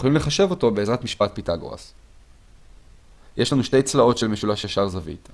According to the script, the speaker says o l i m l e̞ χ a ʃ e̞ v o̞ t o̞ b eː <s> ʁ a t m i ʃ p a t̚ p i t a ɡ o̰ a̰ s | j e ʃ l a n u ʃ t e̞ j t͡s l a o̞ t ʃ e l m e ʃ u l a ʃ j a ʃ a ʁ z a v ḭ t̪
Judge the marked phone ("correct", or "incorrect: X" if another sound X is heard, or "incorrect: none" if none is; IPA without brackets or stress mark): incorrect: z